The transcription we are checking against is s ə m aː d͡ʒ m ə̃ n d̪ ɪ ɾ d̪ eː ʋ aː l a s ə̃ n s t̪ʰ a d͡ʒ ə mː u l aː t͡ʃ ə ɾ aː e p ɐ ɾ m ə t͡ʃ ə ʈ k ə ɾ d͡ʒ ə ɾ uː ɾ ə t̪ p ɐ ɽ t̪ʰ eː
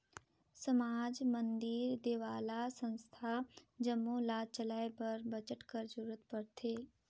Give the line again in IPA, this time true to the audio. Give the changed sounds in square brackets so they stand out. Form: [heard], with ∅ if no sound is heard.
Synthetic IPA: s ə m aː d͡ʒ m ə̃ n d̪ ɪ ɾ d̪ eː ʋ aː l a s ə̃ n s t̪ʰ a d͡ʒ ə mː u l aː t͡ʃ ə [l] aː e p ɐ ɾ [b] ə t͡ʃ ə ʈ k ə ɾ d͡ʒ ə ɾ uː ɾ ə t̪ p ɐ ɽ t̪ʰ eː